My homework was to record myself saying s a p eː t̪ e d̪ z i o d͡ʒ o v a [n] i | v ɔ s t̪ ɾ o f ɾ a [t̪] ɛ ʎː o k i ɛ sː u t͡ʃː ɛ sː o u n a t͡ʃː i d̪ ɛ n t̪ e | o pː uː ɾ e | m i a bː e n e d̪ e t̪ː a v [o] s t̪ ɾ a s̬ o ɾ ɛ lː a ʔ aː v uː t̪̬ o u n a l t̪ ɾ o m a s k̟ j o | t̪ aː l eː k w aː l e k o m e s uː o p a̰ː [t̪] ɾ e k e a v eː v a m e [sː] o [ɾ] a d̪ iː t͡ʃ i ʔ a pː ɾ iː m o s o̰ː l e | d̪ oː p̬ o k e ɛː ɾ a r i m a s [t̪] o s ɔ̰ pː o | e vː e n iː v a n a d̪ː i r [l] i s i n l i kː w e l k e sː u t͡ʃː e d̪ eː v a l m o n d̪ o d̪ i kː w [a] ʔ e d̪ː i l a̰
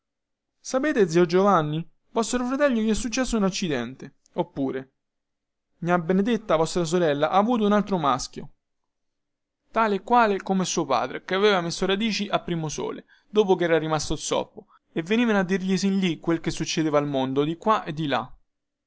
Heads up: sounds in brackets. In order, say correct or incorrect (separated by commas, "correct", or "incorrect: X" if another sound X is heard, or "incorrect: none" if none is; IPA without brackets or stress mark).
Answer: incorrect: nː, correct, incorrect: ɔ, incorrect: d̪, correct, correct, correct, incorrect: ʎ, correct